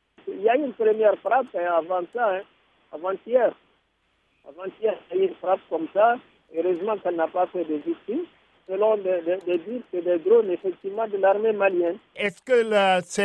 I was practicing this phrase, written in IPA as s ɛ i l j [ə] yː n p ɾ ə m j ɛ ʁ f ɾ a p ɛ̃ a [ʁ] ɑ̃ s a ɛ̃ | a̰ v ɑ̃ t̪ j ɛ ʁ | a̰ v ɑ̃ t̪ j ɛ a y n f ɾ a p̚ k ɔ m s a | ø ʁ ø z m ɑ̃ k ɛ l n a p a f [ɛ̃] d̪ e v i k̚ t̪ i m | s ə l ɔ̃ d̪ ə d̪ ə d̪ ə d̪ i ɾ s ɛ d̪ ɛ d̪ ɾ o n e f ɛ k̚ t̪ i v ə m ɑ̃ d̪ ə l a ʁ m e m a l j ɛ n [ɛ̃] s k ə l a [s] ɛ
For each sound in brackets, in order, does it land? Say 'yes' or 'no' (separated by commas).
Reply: no, no, no, no, yes